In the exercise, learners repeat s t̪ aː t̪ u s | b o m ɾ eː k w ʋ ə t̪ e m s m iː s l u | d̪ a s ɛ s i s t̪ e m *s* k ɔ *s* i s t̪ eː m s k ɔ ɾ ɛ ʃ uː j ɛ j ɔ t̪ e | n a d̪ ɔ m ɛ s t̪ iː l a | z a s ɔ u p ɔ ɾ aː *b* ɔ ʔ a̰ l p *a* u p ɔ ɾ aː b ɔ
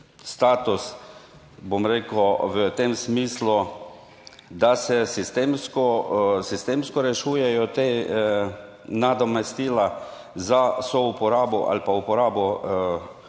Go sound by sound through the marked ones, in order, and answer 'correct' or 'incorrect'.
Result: correct, correct, correct, correct

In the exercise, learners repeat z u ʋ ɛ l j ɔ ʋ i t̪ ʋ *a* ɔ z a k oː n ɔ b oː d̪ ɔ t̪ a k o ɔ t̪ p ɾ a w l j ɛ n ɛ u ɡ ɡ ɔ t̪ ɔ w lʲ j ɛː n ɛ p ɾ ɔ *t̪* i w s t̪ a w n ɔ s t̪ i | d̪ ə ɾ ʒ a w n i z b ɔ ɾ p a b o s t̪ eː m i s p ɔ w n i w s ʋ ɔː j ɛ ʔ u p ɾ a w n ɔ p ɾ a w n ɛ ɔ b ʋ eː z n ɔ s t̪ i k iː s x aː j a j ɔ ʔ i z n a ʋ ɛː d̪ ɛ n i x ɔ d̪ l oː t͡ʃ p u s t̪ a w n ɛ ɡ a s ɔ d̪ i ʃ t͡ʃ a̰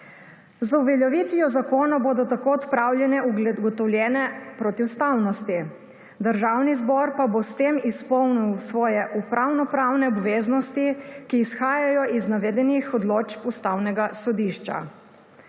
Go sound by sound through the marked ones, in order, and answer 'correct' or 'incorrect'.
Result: incorrect: i, correct

